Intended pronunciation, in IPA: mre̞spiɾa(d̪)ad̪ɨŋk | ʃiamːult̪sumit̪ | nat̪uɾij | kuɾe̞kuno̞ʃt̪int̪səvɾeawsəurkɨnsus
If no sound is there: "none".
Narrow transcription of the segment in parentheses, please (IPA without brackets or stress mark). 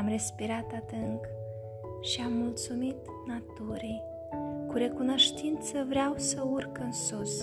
t̪